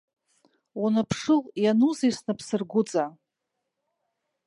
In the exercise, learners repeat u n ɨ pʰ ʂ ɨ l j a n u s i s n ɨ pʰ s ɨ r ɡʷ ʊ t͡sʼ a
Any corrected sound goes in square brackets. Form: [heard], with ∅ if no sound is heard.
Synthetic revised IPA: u n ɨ pʰ ʂ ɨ l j a n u [z] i s n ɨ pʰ s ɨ r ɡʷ ʊ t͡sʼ a